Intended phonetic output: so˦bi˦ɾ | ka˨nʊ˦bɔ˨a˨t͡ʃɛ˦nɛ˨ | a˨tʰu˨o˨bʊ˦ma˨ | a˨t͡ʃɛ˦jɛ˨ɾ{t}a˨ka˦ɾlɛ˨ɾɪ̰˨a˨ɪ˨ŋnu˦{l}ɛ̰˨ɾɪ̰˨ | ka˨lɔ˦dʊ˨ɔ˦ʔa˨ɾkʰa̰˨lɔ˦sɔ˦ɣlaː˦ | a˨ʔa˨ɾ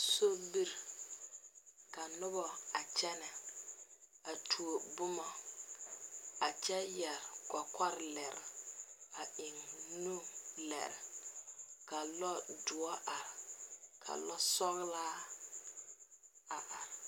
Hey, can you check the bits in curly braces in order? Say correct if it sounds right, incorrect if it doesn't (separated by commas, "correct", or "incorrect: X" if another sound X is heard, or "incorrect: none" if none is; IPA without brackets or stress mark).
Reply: incorrect: k, correct